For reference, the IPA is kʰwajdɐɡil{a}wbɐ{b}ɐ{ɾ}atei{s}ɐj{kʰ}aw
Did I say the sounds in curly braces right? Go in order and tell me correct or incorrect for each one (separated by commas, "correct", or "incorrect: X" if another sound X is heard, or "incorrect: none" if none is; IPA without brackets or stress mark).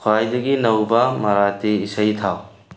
incorrect: ɐ, incorrect: m, correct, correct, incorrect: tʰ